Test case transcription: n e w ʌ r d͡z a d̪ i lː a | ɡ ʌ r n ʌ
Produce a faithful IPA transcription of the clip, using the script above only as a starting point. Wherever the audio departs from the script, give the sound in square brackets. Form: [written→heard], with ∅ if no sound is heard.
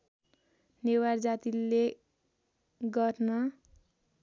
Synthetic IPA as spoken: n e w [ʌ→a] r d͡z a [d̪→t̪] i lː [a→e] | ɡ ʌ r n ʌ